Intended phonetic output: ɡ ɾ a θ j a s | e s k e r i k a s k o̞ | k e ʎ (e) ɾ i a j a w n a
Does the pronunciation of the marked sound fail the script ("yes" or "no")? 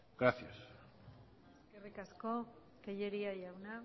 no